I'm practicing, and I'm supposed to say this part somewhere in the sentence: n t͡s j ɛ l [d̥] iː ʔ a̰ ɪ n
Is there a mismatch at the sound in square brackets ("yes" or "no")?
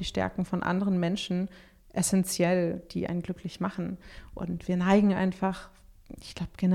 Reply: no